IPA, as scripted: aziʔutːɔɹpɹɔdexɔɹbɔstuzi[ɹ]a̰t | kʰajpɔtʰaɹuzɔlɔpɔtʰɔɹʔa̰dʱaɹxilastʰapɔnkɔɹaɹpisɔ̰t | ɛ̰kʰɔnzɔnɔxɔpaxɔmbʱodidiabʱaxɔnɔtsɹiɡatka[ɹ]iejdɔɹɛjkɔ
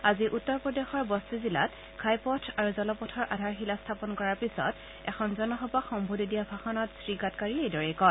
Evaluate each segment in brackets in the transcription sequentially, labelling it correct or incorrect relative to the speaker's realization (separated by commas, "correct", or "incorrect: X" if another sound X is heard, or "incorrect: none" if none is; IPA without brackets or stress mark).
incorrect: l, correct